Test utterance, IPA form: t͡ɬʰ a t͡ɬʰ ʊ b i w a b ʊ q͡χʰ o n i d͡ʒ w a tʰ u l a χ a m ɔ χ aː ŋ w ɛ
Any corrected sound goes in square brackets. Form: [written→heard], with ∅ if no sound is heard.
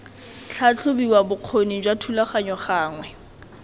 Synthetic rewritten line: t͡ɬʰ a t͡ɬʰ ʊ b i w a b ʊ q͡χʰ o n i d͡ʒ w a tʰ u l a χ a [m→ɲ] ɔ χ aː ŋ w ɛ